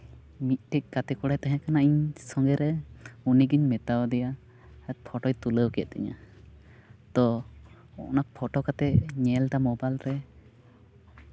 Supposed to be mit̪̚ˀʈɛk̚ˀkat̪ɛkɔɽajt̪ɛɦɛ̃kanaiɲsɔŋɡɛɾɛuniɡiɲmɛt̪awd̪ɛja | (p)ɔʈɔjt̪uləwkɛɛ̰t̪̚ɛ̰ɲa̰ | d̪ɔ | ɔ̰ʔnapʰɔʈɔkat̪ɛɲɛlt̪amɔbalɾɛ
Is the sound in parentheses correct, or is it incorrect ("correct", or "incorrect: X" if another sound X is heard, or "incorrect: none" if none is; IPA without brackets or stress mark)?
incorrect: pʰ